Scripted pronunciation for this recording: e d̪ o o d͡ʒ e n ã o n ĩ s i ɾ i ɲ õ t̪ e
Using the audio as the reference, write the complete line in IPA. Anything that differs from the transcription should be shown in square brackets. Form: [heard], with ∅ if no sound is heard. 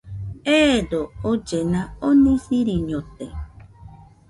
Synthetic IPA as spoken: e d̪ o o d͡ʒ e n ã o n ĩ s i ɾ i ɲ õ t̪ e